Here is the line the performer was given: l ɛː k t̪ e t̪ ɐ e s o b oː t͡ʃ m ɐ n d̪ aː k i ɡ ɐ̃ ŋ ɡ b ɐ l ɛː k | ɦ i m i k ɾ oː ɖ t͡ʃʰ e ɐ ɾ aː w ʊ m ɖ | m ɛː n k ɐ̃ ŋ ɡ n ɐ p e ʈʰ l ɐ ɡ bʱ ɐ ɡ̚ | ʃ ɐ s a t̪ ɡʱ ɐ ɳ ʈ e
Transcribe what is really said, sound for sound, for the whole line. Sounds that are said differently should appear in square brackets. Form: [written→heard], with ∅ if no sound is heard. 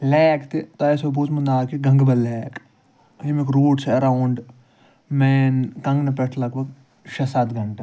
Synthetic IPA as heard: l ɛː k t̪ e t̪ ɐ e s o b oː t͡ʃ m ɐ n d̪ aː k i ɡ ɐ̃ ŋ ɡ b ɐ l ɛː k | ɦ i m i k ɾ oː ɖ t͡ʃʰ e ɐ ɾ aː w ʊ [m→ɳ] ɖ | m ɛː n k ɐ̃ ŋ ɡ n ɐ p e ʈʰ l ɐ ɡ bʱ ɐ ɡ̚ | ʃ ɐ s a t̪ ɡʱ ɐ ɳ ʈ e